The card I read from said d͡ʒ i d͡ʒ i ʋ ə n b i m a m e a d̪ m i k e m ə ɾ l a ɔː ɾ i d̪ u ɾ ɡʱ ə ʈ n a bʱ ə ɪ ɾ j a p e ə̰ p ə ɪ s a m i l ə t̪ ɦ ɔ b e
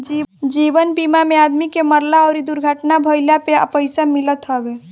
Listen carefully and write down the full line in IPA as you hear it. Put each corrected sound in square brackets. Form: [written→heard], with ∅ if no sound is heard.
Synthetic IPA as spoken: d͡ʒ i d͡ʒ i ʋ ə n b i m a m e a d̪ m i k e m ə ɾ l a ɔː ɾ i d̪ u ɾ ɡʱ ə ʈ n a bʱ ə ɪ [ɾ→l] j a p e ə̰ p ə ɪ s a m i l ə t̪ ɦ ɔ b e